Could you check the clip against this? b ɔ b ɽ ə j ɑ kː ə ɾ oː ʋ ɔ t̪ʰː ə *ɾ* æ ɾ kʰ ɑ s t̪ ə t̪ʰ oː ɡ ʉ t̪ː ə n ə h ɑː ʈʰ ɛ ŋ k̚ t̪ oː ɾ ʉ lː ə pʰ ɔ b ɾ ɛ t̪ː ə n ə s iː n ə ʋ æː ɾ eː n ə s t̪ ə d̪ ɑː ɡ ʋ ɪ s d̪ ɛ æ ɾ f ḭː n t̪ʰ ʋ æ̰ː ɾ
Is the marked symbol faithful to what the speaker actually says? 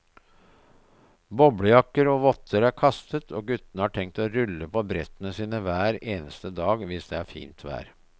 yes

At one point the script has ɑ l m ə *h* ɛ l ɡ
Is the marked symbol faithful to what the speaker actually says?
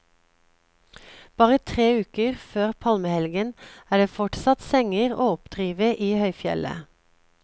yes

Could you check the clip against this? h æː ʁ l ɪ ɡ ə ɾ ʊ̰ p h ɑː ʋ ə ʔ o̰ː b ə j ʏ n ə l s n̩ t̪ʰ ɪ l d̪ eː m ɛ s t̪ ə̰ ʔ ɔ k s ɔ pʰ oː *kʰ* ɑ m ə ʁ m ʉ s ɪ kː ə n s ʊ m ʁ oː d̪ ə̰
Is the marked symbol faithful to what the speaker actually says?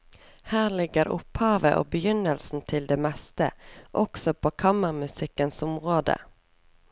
yes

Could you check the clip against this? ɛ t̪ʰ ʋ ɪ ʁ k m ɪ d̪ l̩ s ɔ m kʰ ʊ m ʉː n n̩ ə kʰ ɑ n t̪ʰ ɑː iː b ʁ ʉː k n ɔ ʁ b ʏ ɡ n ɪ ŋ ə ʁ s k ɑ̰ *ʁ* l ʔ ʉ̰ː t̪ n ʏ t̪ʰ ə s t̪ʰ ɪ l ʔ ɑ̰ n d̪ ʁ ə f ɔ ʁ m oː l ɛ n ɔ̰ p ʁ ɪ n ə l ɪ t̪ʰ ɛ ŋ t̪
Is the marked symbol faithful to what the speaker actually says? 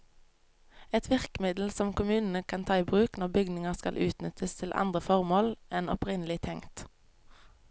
no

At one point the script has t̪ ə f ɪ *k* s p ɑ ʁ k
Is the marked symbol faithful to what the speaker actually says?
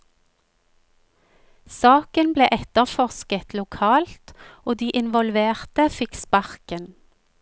yes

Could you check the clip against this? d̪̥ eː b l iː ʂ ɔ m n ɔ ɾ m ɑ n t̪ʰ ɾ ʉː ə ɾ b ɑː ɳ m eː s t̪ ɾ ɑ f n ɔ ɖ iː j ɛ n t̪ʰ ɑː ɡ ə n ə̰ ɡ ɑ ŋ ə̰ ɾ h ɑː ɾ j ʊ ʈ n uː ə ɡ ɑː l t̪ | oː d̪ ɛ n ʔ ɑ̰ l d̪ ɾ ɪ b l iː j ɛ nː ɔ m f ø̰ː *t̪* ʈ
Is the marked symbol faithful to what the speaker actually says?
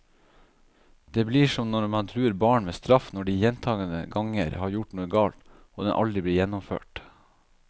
no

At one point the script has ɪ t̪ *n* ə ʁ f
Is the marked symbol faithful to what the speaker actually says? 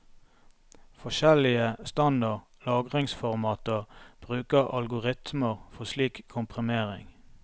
no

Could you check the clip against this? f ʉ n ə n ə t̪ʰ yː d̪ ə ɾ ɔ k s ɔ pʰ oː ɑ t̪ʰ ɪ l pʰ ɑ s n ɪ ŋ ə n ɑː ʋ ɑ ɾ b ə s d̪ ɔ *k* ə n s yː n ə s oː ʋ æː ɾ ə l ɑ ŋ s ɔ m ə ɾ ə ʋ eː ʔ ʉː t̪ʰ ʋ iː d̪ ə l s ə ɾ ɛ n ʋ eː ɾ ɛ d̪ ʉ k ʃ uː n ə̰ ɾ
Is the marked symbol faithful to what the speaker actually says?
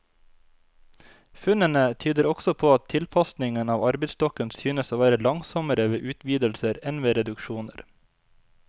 yes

